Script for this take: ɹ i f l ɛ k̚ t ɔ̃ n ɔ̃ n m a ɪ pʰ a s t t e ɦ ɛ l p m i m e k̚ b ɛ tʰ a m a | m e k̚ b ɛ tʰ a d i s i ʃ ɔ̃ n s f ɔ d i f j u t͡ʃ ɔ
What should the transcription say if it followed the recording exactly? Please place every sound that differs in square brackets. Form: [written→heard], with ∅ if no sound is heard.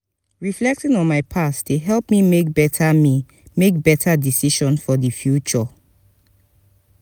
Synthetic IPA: ɹ i f l ɛ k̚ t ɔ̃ n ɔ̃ n m a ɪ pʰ a s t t e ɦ ɛ l p m i m e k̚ b ɛ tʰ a m [a→i] | m e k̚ b ɛ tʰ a d i s i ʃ ɔ̃ n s f ɔ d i f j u t͡ʃ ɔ